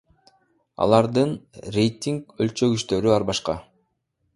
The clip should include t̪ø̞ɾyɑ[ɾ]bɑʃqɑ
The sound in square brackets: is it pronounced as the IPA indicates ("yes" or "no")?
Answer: yes